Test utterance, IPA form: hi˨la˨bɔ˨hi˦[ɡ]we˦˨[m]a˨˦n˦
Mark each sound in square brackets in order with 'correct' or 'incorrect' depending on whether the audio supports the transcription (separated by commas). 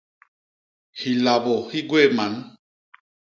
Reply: correct, correct